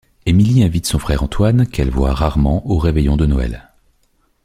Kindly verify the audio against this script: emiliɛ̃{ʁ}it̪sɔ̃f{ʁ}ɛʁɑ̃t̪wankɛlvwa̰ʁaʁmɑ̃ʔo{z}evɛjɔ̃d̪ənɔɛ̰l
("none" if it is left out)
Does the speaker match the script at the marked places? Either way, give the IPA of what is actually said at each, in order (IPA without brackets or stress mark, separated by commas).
v, χ, ʁ